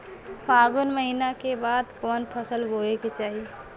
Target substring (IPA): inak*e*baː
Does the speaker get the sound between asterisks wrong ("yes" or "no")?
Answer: no